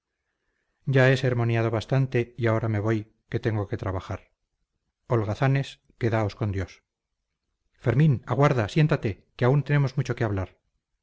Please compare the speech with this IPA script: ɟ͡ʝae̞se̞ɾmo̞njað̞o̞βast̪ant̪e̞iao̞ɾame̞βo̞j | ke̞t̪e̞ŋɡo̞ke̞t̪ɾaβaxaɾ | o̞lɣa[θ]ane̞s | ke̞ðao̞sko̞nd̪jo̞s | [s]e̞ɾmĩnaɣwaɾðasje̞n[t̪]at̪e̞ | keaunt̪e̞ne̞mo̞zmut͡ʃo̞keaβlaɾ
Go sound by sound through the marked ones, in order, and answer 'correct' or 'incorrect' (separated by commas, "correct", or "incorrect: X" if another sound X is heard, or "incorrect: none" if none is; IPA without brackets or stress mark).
correct, incorrect: f, correct